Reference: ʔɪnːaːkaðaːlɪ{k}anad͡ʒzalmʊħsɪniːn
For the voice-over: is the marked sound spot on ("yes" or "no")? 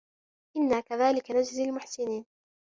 yes